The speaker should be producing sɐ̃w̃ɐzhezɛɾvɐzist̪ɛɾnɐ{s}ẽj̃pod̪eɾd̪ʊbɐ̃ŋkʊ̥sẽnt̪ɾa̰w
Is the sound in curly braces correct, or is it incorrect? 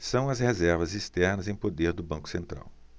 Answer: incorrect